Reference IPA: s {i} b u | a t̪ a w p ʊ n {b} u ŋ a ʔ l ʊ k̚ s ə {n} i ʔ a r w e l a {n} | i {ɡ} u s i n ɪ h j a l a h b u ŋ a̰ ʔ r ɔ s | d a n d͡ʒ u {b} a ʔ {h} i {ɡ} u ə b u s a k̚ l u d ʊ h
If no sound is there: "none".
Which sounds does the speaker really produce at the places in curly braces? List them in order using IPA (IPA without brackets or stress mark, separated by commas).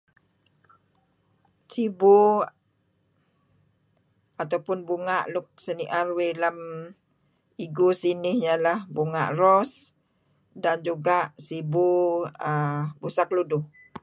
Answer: i, b, n, m, ɡ, ɡ, s, b